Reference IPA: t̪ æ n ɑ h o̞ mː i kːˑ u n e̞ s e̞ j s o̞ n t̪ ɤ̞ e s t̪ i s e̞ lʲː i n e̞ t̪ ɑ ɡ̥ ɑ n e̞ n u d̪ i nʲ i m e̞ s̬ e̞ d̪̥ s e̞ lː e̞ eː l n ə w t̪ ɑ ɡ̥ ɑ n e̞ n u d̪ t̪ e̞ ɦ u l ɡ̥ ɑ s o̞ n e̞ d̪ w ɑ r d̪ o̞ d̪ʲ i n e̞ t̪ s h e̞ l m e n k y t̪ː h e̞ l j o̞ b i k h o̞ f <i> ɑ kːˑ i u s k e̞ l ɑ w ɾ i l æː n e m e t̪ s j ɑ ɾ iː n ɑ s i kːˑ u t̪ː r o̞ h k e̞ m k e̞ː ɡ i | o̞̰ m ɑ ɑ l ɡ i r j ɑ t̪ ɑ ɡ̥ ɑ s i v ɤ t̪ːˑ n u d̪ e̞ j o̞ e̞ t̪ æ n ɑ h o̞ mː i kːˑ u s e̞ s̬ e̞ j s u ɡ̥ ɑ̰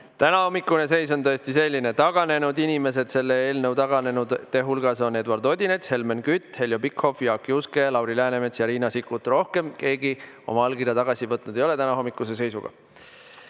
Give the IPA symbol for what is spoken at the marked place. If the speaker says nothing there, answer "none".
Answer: j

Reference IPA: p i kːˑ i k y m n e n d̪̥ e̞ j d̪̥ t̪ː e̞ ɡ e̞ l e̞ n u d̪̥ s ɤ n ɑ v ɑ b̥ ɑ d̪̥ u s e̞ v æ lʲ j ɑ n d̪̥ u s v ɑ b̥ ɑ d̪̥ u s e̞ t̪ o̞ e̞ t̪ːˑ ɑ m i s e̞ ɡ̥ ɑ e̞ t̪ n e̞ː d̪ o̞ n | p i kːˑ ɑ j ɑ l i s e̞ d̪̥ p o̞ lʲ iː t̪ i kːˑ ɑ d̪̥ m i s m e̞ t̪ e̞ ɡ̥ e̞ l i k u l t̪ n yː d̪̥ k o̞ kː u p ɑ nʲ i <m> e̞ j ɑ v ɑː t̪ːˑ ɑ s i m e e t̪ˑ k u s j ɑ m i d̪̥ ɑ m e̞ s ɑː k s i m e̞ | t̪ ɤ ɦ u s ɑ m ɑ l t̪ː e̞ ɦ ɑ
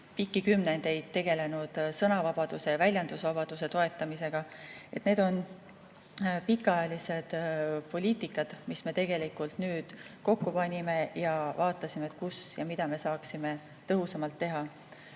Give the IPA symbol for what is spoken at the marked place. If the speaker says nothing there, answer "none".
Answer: m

